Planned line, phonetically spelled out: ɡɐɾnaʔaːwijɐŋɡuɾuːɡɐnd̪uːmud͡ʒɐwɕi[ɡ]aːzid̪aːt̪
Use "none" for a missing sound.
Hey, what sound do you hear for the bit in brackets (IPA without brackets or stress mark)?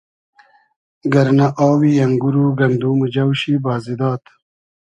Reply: b